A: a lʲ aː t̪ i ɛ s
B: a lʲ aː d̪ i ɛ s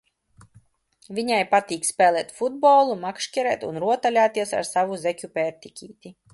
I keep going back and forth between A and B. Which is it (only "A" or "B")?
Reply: A